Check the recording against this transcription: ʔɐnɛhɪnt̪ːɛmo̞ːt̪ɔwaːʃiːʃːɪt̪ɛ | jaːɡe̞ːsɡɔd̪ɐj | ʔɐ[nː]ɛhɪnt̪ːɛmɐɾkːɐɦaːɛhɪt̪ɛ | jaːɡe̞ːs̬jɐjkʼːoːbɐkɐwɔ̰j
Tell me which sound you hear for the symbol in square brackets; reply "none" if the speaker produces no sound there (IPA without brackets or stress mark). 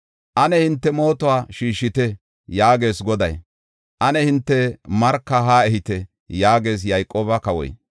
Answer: n